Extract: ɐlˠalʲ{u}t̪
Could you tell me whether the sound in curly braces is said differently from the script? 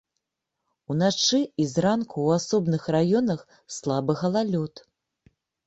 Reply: yes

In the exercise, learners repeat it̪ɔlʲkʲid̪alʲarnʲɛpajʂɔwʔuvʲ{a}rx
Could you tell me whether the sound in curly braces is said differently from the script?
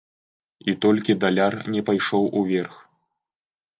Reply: yes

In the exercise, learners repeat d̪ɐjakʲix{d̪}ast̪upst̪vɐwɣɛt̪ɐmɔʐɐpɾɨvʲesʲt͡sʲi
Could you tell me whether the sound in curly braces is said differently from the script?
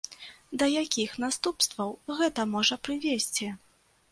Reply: yes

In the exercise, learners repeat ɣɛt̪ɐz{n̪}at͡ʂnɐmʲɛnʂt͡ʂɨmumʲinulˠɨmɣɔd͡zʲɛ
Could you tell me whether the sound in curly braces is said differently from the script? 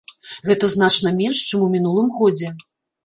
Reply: no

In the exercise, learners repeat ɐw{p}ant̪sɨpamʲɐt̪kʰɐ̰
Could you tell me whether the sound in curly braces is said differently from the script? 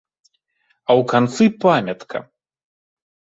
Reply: yes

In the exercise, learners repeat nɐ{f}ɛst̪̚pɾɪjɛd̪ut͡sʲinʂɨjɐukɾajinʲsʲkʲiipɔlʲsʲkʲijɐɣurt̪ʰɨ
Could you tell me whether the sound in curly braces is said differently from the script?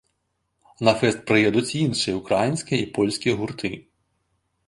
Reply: no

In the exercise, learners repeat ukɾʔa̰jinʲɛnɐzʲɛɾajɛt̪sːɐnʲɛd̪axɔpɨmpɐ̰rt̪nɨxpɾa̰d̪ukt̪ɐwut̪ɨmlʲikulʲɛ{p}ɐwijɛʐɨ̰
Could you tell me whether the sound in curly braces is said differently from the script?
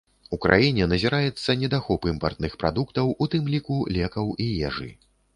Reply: yes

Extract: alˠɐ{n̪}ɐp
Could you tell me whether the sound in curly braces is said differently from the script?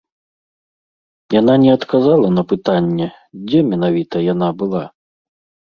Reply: no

